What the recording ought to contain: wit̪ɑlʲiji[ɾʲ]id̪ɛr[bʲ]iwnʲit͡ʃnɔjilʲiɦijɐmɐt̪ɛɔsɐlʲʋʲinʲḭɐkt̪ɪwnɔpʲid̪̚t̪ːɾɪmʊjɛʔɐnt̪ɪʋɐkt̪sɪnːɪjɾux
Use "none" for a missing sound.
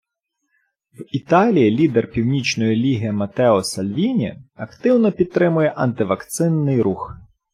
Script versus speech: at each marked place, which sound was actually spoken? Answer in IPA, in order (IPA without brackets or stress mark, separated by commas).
lʲ, pʲ